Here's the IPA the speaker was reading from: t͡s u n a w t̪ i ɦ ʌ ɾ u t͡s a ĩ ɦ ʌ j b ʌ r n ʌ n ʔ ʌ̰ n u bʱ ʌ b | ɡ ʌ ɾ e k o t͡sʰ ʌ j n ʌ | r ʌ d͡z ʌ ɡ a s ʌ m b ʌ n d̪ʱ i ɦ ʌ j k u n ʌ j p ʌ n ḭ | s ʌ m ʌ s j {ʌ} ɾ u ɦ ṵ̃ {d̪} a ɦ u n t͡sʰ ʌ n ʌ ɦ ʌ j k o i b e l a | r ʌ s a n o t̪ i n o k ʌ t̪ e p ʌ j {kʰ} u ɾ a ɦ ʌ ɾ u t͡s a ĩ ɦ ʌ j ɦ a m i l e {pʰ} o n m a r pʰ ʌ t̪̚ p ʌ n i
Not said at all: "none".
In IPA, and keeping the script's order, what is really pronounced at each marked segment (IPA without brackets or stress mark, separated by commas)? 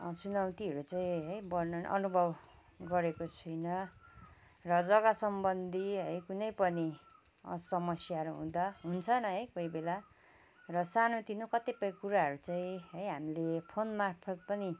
a, d̪, k, pʰ